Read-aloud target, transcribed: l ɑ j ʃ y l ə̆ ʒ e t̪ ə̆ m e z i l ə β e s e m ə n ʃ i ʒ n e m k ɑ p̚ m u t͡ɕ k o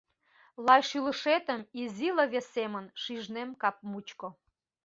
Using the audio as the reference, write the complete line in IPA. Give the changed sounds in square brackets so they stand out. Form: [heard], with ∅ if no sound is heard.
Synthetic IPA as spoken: l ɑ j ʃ y l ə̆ [ʃ] e t̪ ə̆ m [i] z i l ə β e s e m ə n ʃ i ʒ n e m k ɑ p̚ m u t͡ɕ k o